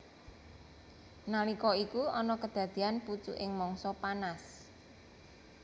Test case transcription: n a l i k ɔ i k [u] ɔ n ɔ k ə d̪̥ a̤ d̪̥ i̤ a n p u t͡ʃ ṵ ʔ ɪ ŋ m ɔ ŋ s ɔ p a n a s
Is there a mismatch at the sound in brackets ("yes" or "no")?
no